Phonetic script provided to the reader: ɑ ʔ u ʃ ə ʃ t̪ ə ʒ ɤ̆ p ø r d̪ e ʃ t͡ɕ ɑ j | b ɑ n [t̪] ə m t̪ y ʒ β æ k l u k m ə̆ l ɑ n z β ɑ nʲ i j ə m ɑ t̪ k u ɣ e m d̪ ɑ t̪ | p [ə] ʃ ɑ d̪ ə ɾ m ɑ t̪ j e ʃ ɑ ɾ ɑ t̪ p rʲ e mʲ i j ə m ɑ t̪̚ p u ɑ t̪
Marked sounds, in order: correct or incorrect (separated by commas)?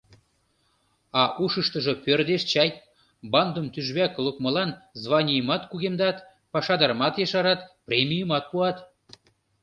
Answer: incorrect, incorrect